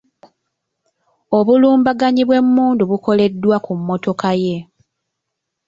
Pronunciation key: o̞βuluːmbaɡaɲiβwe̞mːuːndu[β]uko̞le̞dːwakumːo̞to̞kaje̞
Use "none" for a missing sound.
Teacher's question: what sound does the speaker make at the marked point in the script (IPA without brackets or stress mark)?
β